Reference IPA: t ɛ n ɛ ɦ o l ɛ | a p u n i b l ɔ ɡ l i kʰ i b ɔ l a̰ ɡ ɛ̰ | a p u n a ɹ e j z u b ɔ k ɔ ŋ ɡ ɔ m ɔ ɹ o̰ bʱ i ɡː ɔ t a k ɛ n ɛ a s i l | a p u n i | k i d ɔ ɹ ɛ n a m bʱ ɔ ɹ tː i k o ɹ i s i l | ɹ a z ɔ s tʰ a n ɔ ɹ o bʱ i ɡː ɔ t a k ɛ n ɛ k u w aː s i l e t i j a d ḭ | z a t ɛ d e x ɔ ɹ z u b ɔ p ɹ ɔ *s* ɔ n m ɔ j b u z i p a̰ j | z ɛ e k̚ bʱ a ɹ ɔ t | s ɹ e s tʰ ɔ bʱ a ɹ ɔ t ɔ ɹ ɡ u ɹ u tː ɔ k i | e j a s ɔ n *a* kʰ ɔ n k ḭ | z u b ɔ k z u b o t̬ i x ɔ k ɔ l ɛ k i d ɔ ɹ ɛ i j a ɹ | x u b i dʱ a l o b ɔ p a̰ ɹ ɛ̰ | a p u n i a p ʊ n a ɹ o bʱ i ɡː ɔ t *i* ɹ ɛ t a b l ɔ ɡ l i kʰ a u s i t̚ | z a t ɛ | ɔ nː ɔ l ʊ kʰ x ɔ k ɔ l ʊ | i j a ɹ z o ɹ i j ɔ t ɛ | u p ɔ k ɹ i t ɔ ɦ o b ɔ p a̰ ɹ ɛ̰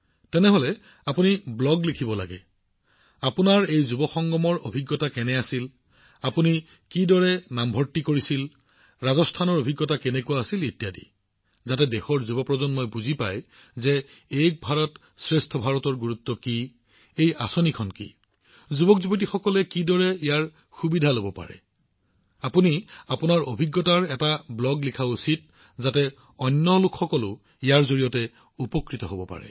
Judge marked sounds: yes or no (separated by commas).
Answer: no, no, no